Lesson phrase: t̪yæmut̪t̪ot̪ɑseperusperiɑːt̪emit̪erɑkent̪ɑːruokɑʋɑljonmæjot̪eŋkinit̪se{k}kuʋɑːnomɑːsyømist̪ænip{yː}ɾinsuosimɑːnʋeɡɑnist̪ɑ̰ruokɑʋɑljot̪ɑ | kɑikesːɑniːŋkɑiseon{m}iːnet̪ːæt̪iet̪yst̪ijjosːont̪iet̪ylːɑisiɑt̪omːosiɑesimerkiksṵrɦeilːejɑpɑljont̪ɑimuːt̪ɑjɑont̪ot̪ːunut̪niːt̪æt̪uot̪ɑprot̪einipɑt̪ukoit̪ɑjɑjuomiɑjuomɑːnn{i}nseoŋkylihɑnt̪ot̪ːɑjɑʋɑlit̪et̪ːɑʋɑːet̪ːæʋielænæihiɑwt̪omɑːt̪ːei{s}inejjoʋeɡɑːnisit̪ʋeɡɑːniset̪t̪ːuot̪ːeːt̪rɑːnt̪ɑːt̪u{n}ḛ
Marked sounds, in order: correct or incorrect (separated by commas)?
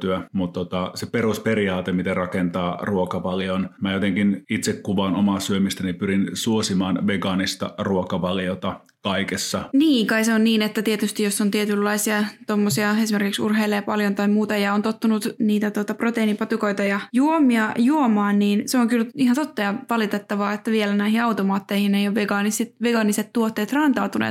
correct, incorrect, incorrect, incorrect, incorrect, correct